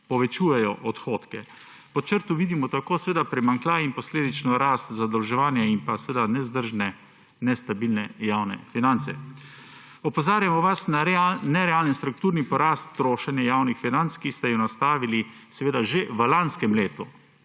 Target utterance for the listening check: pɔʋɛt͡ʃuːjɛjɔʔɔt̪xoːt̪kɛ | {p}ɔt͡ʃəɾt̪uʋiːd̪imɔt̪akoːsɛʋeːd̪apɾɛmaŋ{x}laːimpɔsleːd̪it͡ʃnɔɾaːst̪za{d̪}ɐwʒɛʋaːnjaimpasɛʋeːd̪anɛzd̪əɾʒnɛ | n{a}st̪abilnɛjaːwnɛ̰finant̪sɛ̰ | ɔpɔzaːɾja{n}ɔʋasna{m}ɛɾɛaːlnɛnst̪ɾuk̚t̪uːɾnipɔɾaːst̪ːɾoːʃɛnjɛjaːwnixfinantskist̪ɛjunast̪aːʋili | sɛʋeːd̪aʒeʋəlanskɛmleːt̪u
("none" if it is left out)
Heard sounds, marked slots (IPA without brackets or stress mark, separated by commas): p, k, d̪, ɛ, m, n